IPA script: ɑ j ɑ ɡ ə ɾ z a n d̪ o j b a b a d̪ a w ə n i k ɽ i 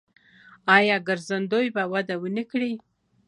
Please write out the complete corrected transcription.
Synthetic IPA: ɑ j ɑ ɡ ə ɾ z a n d̪ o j b a w a d̪ a w ə n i k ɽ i